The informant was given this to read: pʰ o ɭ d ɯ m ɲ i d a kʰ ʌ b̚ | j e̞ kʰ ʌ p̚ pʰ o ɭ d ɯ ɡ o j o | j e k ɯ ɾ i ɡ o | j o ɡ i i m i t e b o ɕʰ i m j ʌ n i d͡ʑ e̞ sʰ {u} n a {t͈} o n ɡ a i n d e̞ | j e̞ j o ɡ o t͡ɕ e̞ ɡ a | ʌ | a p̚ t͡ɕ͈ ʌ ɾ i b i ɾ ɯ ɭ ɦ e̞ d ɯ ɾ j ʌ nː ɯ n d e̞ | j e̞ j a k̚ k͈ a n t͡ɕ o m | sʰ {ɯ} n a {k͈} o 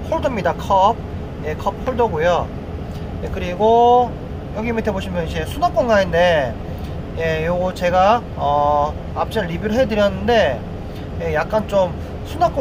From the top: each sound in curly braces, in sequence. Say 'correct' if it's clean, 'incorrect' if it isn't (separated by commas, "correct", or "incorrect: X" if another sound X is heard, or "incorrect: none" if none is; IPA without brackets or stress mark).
correct, incorrect: k͈, incorrect: u, correct